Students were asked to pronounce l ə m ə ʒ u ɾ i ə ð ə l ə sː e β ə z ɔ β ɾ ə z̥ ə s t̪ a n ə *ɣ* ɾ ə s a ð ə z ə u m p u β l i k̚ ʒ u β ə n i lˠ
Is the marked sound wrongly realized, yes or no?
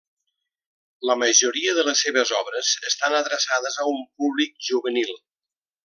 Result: yes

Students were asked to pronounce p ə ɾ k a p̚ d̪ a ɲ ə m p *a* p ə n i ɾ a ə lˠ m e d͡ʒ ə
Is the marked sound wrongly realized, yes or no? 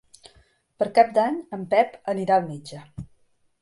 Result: yes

